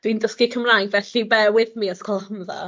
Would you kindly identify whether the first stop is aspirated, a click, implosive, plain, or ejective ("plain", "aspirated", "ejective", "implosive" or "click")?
plain